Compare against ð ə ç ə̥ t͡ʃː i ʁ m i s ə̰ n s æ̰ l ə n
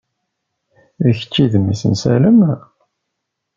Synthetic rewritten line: ð ə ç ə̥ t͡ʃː i ð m i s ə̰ n s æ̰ l ə m